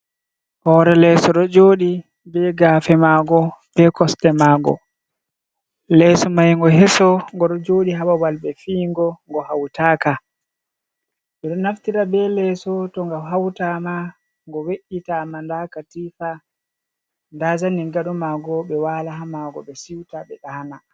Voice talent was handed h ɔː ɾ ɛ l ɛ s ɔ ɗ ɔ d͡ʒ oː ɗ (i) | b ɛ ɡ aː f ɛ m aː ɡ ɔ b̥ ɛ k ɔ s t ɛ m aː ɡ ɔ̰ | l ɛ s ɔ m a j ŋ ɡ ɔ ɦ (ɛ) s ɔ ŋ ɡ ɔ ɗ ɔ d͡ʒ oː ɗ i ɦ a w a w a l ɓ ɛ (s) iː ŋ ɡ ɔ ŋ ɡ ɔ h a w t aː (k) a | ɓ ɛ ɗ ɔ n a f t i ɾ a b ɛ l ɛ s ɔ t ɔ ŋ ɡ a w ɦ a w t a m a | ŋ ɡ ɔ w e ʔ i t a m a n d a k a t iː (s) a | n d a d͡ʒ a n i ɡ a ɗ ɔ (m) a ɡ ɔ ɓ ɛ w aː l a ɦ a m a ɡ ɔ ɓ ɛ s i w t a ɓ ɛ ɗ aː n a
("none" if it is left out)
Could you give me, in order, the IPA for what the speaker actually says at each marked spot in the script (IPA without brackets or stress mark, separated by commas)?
i, ɛ, f, k, f, m